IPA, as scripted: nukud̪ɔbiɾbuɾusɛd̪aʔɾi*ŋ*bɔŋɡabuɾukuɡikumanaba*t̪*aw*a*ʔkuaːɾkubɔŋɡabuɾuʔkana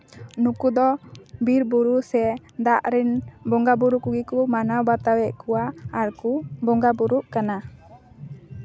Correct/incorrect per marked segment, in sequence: incorrect, correct, incorrect

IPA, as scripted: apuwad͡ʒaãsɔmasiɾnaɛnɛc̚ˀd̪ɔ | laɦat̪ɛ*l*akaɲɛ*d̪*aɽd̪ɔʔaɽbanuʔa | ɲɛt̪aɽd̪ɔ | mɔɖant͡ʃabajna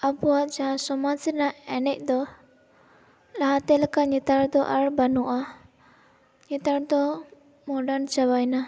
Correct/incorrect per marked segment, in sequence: correct, incorrect

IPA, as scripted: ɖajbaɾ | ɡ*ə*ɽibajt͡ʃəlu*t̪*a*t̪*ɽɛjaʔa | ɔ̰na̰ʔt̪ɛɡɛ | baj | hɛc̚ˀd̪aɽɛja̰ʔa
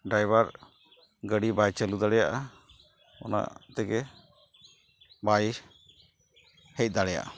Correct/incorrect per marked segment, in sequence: correct, incorrect, incorrect

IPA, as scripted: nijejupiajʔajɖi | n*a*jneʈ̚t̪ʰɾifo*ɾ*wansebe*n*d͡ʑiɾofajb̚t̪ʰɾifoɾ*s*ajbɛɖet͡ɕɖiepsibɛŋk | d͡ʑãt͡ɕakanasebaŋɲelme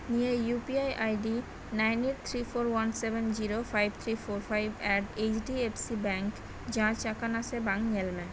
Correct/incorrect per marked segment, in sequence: correct, correct, correct, incorrect

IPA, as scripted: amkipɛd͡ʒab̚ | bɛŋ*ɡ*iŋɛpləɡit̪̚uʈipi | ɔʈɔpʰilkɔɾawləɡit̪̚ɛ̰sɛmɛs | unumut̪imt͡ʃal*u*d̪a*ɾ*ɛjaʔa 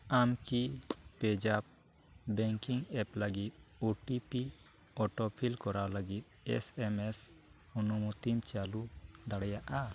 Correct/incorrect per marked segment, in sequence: incorrect, correct, incorrect

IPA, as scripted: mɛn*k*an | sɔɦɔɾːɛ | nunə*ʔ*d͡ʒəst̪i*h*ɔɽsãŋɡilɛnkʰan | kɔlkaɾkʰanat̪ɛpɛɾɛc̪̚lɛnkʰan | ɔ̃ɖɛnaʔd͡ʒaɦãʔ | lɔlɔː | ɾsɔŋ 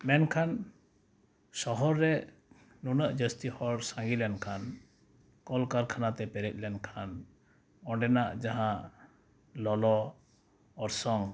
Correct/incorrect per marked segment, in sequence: incorrect, correct, correct

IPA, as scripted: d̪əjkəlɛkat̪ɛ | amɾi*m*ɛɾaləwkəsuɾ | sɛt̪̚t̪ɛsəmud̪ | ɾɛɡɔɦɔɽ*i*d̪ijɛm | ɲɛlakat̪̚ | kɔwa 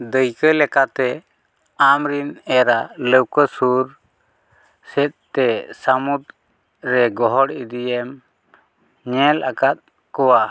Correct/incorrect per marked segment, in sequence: incorrect, correct

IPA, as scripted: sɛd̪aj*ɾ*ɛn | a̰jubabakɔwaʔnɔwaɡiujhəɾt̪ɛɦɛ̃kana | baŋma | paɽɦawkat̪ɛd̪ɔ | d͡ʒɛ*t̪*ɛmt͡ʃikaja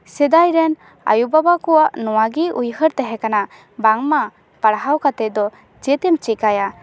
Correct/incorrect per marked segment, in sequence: correct, correct

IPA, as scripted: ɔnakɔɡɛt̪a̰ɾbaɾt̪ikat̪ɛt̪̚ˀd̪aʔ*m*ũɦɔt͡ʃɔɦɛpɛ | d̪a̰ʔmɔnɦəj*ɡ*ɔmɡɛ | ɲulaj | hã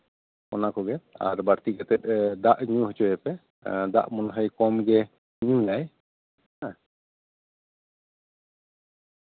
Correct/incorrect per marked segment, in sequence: incorrect, incorrect

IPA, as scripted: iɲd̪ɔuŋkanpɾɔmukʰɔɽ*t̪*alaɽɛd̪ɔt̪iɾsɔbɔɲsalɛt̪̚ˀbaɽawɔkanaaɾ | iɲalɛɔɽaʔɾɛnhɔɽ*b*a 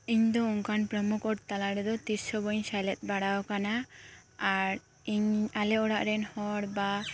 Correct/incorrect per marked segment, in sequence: correct, correct

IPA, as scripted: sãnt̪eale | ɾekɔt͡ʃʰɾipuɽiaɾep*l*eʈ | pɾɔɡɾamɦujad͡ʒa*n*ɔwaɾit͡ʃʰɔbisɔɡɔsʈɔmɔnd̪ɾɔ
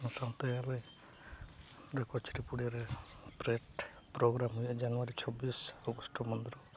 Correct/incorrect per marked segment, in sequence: incorrect, correct

